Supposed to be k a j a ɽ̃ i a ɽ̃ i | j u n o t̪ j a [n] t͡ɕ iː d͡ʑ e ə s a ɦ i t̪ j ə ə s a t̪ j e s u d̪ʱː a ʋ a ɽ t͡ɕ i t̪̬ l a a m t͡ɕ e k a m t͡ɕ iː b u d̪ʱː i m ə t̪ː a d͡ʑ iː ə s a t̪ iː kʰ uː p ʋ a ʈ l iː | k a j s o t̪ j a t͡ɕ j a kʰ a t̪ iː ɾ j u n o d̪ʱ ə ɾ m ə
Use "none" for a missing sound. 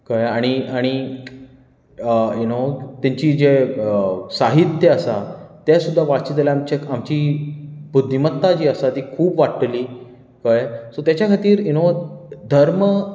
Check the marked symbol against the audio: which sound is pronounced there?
ɲ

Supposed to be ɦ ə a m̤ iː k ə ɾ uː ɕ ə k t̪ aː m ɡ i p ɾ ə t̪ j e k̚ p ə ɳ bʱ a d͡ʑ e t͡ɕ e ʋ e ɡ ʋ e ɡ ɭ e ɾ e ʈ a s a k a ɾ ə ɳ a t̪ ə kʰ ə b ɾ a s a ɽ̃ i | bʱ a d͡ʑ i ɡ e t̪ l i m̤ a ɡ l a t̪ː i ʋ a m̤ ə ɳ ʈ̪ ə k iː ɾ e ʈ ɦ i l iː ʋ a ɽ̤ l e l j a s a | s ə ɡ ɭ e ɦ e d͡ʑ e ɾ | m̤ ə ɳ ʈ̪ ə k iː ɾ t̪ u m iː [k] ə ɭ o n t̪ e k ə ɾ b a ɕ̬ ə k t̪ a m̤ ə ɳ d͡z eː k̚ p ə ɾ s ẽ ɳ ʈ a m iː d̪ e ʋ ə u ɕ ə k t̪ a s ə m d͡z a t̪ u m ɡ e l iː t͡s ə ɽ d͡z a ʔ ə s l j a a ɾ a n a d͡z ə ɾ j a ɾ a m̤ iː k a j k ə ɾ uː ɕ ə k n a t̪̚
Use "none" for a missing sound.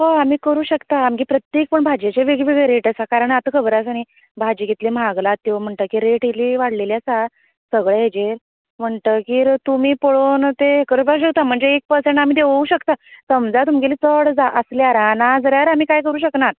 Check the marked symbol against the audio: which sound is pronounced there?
p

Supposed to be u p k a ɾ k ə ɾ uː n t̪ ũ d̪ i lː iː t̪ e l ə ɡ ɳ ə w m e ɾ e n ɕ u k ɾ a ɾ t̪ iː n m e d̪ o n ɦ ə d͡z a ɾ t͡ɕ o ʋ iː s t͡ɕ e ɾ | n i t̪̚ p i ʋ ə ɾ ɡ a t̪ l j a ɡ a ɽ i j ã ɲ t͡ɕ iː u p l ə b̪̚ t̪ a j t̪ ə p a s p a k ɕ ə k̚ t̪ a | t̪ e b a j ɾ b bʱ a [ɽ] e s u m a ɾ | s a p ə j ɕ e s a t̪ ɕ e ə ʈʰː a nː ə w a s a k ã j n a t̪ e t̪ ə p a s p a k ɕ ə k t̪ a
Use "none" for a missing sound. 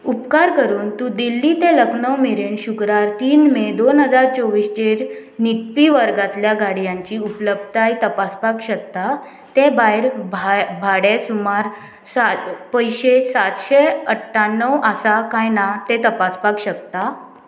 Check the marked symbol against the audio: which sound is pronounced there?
ɽ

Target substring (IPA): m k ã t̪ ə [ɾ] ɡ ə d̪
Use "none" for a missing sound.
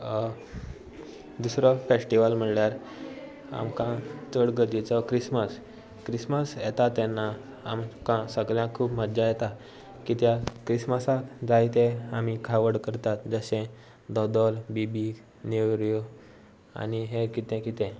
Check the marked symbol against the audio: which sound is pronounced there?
ɽ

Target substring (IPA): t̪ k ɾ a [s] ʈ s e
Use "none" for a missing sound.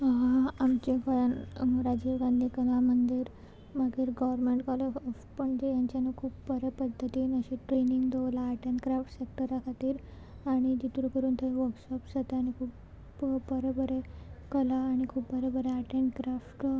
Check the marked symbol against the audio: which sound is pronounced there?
f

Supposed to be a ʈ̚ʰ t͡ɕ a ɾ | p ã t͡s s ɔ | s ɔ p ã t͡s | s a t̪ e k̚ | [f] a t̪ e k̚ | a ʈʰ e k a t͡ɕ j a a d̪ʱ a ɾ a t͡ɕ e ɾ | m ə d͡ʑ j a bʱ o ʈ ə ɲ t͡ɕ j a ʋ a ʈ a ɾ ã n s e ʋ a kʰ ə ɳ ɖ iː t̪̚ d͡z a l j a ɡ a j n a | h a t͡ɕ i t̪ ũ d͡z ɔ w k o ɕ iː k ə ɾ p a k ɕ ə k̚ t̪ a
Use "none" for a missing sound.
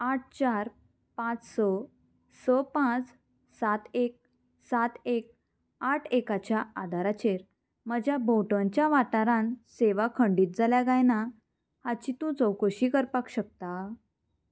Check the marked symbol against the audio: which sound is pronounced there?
s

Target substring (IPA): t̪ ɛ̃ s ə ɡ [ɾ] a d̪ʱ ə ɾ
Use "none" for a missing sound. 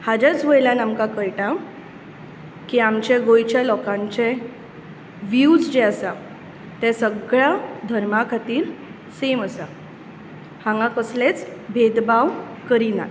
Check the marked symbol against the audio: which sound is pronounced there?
ɭ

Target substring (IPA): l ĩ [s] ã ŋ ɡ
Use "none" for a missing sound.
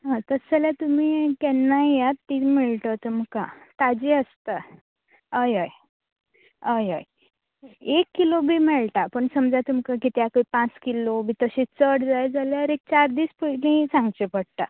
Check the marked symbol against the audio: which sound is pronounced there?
s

